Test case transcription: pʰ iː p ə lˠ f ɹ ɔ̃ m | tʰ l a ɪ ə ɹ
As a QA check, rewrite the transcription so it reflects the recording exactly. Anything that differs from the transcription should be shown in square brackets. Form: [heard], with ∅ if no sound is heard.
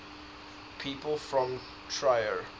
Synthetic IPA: pʰ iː p ə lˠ f ɹ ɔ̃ m | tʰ [ɹ] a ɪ ə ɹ